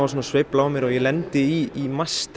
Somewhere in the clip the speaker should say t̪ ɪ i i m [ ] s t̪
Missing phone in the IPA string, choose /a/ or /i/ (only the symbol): a